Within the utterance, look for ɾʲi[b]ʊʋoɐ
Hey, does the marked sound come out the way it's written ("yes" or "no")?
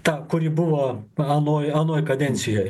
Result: yes